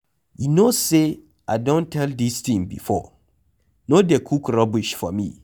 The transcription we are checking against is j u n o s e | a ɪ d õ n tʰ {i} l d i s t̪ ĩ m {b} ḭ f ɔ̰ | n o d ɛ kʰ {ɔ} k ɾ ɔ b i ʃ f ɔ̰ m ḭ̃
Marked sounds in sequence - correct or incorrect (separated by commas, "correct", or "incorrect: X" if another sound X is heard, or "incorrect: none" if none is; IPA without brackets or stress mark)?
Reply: incorrect: ɛ, correct, incorrect: u